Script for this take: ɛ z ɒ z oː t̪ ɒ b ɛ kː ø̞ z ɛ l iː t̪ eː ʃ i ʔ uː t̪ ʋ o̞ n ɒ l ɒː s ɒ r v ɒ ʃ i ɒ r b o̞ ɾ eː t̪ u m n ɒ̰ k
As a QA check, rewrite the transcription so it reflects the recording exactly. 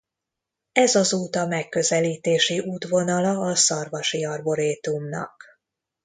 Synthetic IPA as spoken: ɛ z ɒ z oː t̪ ɒ m ɛ kː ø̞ z ɛ l iː t̪ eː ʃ i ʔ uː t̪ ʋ o̞ n ɒ l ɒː s ɒ r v ɒ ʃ i ɒ r b o̞ ɾ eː t̪ u m n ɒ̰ k